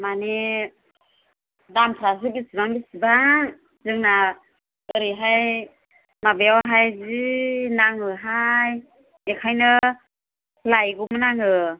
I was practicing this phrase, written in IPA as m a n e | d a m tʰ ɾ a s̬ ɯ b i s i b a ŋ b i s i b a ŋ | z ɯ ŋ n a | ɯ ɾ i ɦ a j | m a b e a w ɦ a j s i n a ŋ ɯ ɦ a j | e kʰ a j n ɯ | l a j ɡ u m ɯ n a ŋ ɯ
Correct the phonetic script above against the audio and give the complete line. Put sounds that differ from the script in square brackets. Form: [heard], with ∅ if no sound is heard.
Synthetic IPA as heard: m a n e | d a m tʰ ɾ a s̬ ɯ b i s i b a ŋ b i s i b a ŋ | z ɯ ŋ n a | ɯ ɾ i ɦ a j | m a b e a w ɦ a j [z] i n a ŋ ɯ ɦ a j | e kʰ a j n ɯ | l a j ɡ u m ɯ n a ŋ ɯ